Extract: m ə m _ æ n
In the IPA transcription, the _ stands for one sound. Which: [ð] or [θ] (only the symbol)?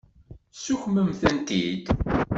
θ